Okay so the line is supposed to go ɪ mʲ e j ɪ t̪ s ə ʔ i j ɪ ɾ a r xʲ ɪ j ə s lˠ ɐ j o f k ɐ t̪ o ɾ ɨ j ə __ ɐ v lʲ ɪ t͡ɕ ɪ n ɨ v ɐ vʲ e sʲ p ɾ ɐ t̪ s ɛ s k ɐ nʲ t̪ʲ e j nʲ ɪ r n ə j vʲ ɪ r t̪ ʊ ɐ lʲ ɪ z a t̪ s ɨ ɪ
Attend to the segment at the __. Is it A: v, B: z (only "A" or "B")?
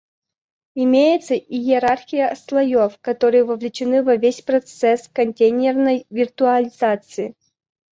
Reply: A